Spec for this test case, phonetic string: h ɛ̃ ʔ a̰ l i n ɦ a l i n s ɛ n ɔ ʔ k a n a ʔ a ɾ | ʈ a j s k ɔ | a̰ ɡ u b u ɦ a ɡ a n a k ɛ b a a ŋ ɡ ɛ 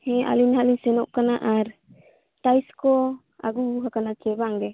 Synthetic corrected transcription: h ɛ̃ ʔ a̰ l i n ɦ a l i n s ɛ n ɔ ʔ k a n a ʔ a ɾ | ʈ a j s k ɔ | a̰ ɡ u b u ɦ a k a n a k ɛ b a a ŋ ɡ ɛ